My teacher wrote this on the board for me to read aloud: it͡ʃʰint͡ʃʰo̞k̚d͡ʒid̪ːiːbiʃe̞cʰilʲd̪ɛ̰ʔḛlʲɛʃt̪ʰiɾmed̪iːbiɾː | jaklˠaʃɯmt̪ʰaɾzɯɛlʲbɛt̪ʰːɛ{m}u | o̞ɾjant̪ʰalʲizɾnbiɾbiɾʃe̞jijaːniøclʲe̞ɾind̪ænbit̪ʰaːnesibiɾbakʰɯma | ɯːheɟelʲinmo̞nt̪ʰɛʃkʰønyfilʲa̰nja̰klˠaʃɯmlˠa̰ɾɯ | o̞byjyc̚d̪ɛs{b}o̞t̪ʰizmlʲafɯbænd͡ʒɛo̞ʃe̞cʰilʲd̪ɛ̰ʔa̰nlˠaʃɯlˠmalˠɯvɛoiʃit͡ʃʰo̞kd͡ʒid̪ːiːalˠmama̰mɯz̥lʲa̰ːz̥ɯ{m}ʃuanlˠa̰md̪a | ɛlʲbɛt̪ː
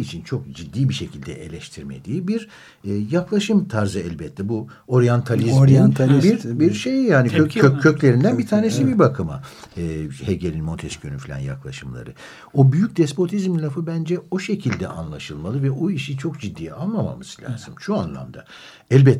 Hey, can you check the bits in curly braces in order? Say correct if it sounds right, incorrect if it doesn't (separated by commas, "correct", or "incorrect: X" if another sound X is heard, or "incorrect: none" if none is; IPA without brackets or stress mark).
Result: incorrect: b, incorrect: p, correct